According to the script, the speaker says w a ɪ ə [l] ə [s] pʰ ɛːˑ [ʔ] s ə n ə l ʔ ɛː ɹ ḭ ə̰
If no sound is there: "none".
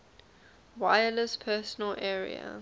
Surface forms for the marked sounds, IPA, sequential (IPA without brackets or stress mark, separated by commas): l, s, none